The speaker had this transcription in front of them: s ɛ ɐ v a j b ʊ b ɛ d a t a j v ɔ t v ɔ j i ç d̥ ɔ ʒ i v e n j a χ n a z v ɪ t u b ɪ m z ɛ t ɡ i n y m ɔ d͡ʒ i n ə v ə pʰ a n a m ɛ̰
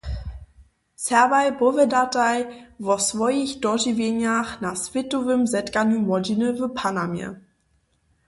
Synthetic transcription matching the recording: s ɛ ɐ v a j b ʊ v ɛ d a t a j v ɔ s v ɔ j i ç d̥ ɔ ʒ i v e n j a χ n a s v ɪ t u v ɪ m z ɛ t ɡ a n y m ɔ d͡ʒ i n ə v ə pʰ a n a m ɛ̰